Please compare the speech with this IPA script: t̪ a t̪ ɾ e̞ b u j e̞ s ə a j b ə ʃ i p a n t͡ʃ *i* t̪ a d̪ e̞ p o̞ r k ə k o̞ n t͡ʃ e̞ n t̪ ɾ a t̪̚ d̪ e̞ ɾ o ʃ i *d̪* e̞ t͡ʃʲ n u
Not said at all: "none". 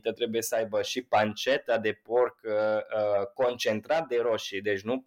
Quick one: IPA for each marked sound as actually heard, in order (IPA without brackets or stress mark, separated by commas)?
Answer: e, d̪